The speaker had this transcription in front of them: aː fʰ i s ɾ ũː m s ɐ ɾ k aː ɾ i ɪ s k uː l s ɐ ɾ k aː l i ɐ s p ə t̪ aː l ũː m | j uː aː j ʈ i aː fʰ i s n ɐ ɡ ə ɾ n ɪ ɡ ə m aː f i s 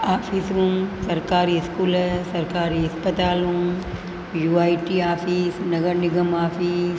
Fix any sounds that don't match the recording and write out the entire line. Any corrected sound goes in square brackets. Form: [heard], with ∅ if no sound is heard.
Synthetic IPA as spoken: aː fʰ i s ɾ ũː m s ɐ ɾ k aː ɾ i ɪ s k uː l s ɐ ɾ k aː [ɾ] i ɐ s p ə t̪ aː l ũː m | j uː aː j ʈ i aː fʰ i s n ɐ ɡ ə ɾ n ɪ ɡ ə m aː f i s